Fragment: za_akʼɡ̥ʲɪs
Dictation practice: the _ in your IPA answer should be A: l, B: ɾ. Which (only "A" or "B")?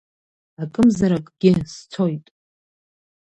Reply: B